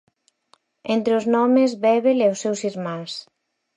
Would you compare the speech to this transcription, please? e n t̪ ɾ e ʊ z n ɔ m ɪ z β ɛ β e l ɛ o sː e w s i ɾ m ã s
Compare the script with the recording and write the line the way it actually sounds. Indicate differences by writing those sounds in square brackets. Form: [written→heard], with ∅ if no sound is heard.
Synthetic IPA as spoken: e n t̪ ɾ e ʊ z n ɔ m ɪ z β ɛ β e l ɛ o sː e w s i ɾ m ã s